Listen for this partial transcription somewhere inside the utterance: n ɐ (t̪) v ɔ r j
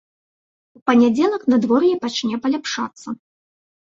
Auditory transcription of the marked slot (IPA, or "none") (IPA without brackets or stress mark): d̪